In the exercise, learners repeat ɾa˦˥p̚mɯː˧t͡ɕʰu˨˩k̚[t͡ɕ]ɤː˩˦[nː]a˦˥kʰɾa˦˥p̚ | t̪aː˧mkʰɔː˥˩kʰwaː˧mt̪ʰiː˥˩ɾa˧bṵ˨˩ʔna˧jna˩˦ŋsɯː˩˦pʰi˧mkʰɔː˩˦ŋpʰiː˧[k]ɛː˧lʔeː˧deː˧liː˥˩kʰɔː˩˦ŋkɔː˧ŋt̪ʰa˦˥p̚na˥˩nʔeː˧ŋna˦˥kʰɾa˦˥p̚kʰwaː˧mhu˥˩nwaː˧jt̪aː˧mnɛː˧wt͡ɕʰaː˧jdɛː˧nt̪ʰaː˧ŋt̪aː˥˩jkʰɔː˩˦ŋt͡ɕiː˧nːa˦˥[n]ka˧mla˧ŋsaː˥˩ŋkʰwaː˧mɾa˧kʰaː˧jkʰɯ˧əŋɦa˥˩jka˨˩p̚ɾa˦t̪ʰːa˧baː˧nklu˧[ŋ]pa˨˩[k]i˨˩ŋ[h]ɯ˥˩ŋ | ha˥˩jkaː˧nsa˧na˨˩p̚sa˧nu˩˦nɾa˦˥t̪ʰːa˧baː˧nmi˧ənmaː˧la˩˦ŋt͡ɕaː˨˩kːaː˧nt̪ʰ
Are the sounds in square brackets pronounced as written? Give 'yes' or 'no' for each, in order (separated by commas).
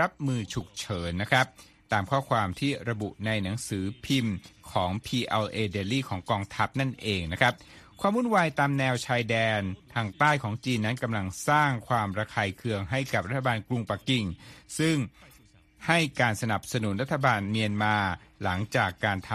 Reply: no, yes, no, yes, yes, yes, no